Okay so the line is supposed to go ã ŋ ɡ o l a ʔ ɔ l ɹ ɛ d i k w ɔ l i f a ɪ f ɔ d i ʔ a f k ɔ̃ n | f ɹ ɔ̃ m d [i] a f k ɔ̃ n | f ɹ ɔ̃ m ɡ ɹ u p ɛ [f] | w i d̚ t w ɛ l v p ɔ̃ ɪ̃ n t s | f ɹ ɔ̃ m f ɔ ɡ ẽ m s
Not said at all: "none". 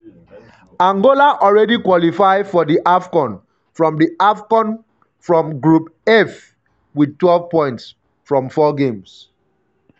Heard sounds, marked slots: i, f

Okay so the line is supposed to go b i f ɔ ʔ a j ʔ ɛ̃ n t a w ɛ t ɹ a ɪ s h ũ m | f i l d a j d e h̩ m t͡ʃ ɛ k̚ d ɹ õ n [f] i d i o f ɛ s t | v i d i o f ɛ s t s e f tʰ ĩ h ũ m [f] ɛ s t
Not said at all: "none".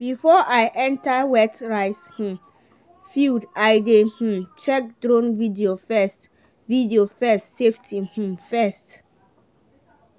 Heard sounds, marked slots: v, f

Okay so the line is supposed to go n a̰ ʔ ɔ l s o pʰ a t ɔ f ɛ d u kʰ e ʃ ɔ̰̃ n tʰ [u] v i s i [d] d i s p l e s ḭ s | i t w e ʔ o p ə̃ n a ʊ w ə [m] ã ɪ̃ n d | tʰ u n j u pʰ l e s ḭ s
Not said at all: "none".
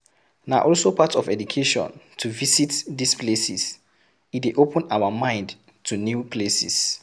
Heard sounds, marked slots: u, t, m

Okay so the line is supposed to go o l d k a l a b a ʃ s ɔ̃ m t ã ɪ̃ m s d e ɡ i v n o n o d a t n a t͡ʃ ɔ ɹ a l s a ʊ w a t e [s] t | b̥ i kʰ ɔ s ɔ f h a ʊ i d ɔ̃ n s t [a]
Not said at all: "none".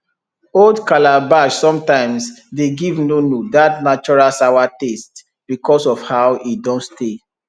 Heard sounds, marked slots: s, e

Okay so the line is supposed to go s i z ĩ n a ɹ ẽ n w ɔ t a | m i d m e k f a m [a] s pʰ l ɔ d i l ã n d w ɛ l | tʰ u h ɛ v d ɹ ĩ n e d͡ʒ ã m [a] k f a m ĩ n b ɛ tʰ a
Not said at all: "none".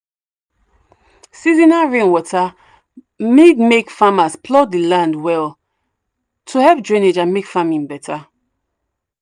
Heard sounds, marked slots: a, e

